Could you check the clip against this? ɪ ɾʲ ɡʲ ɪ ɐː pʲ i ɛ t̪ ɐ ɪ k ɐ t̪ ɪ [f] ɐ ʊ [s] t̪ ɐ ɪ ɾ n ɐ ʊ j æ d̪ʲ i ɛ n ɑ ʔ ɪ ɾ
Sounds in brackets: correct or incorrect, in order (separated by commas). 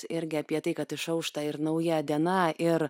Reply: incorrect, incorrect